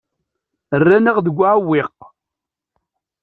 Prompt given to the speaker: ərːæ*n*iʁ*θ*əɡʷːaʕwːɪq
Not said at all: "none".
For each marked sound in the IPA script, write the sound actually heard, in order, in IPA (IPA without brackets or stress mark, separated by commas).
n, ð